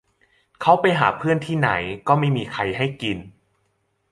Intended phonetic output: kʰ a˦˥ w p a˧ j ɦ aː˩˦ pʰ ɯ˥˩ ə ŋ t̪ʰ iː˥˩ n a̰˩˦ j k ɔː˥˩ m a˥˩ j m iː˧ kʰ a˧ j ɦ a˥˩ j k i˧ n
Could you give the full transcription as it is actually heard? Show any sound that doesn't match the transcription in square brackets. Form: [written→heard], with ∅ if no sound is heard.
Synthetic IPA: kʰ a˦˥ w p a˧ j ɦ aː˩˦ pʰ ɯ˥˩ ə [ŋ→n] t̪ʰ iː˥˩ n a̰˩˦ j k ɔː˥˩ m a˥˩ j m iː˧ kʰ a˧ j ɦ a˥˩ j k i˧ n